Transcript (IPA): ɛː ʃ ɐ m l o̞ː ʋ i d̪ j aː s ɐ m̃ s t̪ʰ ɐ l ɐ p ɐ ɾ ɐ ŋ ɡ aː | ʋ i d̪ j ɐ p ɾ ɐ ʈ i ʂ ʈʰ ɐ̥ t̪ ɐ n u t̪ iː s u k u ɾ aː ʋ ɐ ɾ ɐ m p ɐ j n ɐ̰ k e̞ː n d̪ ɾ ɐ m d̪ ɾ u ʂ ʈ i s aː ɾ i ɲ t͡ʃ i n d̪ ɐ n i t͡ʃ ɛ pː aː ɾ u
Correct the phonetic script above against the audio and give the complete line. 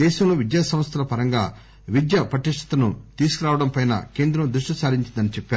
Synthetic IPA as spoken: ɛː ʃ ɐ m l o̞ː ʋ i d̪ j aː s ɐ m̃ s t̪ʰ ɐ l ɐ p ɐ ɾ ɐ ŋ ɡ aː | ʋ i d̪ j ɐ p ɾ ɐ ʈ i ʂ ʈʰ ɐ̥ t̪ ɐ n u t̪ iː s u k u ɾ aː ʋ ɐ ɽ ɐ m p ɐ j n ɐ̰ k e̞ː n d̪ ɾ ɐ m d̪ ɾ u ʂ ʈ i s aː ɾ i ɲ t͡ʃ i n d̪ ɐ n i t͡ʃ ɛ pː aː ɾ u